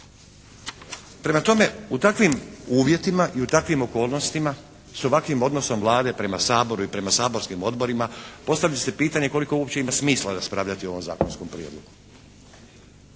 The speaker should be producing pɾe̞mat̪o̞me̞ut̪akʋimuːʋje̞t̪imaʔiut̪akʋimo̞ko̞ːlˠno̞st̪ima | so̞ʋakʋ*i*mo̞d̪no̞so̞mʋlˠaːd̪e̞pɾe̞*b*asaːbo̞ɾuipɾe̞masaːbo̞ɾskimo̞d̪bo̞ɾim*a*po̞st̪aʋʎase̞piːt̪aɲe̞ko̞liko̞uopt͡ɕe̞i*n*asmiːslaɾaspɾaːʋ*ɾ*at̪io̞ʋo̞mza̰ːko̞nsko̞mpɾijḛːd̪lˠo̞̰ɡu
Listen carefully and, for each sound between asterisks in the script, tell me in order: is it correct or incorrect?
correct, incorrect: m, correct, incorrect: m, incorrect: ʎ

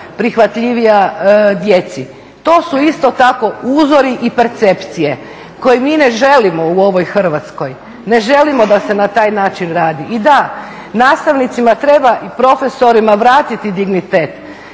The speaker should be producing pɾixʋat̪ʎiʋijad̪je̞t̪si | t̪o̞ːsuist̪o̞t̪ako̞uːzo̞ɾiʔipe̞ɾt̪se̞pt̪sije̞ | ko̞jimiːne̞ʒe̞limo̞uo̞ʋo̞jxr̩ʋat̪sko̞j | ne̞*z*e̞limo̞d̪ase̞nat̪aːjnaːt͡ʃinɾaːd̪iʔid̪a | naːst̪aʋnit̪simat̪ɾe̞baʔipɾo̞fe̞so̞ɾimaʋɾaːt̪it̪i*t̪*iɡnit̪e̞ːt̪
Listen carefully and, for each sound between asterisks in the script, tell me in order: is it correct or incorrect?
incorrect: ʒ, incorrect: d̪

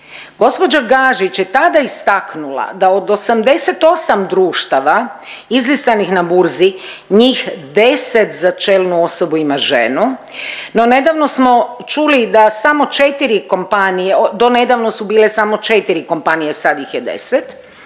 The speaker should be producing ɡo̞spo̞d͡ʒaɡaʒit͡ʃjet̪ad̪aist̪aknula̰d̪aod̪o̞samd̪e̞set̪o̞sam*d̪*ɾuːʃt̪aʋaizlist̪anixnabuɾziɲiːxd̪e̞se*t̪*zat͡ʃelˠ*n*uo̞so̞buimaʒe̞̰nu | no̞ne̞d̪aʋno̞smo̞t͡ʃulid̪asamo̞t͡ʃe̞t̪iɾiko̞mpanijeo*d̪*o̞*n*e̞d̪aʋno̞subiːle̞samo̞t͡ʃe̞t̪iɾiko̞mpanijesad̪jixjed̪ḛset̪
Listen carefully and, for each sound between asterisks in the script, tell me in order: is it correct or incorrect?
correct, correct, correct, correct, correct

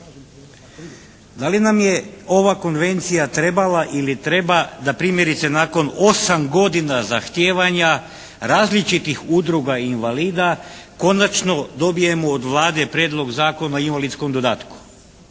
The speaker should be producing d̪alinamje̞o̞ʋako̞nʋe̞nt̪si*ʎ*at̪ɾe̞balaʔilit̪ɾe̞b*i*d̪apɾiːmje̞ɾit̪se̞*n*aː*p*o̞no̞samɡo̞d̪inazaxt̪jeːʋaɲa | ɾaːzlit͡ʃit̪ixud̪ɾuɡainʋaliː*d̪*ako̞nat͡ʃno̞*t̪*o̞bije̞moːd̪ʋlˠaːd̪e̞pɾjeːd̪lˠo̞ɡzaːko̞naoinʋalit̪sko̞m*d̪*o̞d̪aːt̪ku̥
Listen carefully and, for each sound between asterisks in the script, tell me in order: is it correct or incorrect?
incorrect: j, incorrect: a, correct, incorrect: k, correct, incorrect: d̪, correct

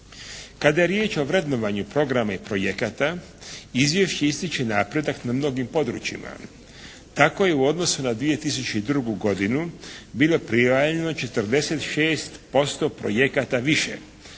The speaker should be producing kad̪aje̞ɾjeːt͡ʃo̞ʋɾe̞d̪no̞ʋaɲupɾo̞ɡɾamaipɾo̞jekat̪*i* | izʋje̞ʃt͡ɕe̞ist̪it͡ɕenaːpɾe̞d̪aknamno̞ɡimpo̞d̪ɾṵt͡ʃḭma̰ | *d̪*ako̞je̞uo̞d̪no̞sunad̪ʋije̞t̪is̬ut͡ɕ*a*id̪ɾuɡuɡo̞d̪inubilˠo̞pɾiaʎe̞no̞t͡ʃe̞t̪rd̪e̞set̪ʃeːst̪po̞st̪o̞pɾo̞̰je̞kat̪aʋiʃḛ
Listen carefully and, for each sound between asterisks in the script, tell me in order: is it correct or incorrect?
incorrect: a, incorrect: t̪, incorrect: e

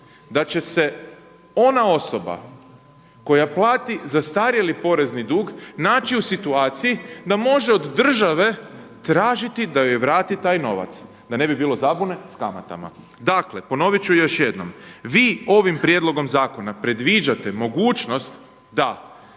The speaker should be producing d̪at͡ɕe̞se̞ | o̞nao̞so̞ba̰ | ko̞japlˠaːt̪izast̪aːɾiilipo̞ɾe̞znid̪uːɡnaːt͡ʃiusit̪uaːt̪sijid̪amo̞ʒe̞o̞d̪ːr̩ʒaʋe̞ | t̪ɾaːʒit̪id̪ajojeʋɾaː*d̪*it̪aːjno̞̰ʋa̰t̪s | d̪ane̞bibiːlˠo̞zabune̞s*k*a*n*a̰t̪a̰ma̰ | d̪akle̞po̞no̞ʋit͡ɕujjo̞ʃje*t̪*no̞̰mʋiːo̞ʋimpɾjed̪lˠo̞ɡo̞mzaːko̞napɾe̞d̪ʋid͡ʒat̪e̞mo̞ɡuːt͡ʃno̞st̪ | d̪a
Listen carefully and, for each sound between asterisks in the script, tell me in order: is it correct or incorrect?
incorrect: t̪, correct, incorrect: m, incorrect: d̪

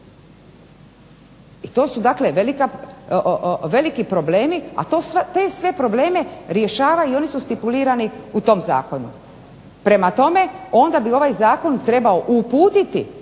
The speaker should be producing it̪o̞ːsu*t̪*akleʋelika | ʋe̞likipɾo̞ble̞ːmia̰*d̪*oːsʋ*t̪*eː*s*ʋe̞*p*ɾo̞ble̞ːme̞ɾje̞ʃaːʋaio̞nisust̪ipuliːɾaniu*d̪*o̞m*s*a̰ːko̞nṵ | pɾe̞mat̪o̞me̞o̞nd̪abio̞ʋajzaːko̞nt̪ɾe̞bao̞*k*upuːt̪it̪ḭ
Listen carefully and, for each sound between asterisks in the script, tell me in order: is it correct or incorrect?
incorrect: d̪, incorrect: t̪, correct, correct, correct, incorrect: t̪, incorrect: z, incorrect: ʔ

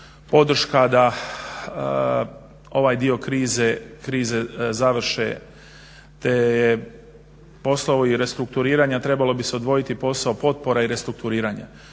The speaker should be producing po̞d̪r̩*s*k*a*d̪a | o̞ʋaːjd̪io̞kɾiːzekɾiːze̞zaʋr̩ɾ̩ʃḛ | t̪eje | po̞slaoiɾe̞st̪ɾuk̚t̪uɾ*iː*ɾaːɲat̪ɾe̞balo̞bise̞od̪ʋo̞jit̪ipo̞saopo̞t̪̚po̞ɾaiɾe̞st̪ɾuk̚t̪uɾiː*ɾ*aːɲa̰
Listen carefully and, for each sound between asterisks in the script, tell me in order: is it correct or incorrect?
incorrect: ʃ, correct, correct, correct

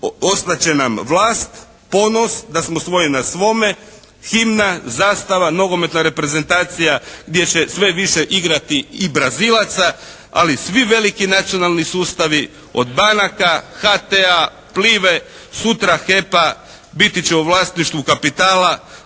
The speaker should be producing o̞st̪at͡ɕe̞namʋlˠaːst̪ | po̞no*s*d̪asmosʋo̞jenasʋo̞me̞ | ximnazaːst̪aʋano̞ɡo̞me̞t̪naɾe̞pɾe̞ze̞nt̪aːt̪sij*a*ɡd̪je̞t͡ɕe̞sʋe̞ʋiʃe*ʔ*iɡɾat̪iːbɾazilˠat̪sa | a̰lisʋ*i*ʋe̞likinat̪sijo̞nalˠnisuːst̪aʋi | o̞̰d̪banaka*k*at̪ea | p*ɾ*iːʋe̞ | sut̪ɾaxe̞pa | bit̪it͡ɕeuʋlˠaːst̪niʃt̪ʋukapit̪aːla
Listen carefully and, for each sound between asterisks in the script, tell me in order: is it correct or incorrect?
correct, correct, correct, correct, incorrect: x, incorrect: l

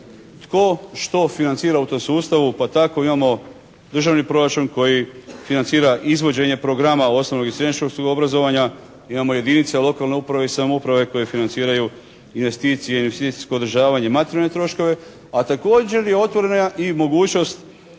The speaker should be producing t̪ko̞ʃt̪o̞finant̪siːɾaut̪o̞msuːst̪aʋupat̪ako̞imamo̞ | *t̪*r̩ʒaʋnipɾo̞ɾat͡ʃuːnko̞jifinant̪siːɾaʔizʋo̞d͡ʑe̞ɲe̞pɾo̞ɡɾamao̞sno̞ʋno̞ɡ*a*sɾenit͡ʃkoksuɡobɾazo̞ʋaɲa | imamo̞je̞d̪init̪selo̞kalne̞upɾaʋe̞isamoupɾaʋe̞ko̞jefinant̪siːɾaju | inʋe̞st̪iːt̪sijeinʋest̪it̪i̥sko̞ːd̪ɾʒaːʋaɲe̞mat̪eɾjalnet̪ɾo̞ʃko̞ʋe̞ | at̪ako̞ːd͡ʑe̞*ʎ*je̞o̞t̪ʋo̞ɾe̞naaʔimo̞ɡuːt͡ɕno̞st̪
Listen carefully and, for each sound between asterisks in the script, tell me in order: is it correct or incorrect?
incorrect: d̪, incorrect: i, incorrect: ɾ

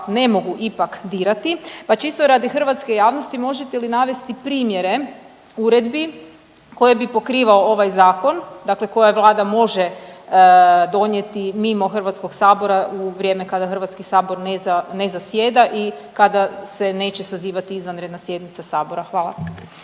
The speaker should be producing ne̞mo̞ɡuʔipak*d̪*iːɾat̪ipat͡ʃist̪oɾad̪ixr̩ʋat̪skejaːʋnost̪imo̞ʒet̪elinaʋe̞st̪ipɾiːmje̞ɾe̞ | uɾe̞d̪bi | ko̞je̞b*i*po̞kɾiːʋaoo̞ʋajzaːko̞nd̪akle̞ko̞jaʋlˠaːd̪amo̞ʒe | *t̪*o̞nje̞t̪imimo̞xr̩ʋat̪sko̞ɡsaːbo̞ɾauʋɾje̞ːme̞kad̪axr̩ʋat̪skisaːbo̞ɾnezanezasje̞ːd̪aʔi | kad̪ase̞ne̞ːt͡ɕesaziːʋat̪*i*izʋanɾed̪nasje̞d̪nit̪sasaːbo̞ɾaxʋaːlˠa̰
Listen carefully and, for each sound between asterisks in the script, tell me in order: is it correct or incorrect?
correct, correct, incorrect: d̪, correct

